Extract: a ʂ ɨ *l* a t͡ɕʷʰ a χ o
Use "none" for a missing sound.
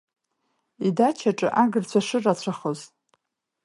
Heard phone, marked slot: r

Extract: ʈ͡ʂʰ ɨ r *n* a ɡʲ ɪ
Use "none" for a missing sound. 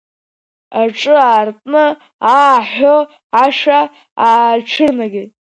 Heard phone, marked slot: n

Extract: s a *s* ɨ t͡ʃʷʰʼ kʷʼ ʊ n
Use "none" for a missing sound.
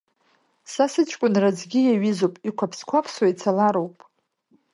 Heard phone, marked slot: s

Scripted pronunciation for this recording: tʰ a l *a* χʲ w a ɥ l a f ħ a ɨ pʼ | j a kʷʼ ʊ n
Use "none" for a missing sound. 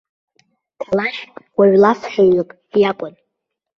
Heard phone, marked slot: a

